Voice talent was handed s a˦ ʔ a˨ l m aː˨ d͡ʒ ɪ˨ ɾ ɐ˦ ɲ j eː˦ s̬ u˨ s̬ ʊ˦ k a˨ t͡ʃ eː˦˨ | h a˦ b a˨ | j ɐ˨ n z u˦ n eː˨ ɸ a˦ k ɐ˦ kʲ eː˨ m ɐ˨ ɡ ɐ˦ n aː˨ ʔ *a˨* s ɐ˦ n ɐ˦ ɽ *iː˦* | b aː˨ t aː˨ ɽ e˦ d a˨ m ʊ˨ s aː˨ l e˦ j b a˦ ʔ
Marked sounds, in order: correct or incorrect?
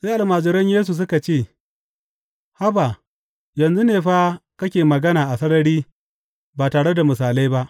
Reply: correct, correct

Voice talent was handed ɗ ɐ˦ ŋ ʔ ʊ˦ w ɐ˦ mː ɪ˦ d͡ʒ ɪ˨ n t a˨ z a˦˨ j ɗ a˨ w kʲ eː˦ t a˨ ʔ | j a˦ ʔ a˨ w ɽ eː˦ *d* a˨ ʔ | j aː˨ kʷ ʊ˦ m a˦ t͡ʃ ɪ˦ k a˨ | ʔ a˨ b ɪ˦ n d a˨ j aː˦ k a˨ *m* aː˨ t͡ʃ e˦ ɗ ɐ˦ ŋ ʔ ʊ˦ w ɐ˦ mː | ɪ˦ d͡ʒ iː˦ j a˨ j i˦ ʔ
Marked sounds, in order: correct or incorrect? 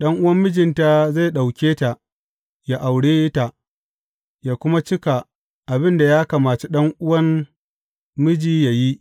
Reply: incorrect, correct

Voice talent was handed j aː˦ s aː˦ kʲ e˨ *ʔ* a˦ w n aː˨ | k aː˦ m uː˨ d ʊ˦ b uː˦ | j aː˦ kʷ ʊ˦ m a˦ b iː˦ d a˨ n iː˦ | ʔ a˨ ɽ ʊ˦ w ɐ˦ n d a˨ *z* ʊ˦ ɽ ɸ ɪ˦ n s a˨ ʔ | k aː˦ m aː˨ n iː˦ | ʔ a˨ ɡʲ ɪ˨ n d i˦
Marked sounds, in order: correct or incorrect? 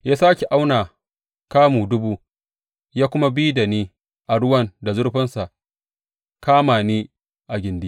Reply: correct, correct

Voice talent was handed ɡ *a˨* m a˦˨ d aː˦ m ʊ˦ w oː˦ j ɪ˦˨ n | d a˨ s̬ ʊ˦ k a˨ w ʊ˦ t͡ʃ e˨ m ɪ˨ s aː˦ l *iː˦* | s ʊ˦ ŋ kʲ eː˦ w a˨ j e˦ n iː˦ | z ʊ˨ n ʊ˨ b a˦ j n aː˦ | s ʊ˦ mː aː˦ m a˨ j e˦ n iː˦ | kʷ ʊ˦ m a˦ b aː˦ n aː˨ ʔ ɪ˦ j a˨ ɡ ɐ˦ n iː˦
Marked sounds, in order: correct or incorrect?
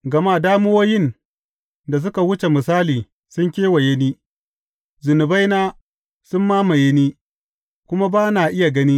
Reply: incorrect, incorrect

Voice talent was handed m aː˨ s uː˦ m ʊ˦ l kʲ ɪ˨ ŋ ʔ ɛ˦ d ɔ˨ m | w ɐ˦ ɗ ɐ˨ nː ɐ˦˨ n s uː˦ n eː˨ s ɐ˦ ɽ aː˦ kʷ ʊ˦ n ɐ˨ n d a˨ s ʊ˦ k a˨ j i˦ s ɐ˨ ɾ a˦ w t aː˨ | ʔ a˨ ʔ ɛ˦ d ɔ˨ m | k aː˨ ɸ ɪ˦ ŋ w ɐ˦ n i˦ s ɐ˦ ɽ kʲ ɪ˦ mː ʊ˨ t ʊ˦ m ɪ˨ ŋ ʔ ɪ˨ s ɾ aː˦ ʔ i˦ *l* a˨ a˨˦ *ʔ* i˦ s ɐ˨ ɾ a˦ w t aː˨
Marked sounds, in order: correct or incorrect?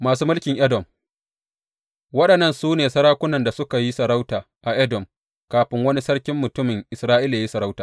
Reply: correct, incorrect

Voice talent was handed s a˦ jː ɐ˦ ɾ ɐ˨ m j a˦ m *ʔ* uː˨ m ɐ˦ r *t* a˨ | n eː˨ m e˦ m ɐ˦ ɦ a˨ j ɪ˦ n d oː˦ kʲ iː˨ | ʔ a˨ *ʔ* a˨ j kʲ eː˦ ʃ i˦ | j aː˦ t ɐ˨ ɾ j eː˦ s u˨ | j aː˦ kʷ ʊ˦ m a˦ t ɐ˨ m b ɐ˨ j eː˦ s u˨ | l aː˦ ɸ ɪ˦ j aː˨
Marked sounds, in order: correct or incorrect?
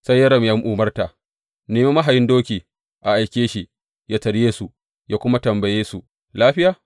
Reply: correct, correct, correct

